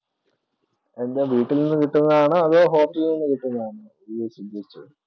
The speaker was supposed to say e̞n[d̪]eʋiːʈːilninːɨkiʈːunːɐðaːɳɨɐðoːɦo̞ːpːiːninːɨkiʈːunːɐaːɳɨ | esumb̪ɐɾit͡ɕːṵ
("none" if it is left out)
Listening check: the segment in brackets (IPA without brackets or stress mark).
d̪